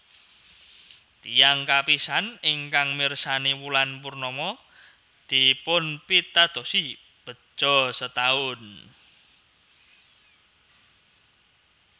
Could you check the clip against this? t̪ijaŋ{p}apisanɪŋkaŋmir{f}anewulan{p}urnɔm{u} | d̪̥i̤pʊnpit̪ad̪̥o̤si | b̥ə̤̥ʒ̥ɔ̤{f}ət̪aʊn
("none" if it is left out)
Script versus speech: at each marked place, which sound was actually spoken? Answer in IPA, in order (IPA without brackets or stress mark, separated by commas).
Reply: k, s, p, ɔ, s